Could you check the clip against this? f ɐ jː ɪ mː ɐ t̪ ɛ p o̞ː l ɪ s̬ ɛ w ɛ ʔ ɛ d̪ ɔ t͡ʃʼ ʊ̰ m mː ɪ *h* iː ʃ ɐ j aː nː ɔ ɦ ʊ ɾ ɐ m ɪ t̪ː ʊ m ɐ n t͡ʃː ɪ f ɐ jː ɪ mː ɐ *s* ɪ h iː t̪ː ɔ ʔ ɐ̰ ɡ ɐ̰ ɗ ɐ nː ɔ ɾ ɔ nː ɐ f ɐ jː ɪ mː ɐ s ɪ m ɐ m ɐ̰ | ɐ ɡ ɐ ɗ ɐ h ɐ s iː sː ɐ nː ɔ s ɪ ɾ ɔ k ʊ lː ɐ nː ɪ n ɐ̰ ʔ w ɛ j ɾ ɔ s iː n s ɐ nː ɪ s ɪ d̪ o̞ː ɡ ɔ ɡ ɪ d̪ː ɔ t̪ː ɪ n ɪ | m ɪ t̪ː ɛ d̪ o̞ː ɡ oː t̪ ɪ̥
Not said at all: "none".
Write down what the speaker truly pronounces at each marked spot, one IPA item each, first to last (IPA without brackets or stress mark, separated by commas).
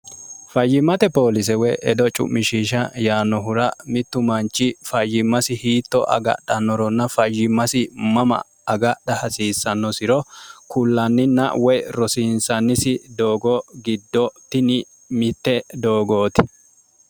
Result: ʃ, s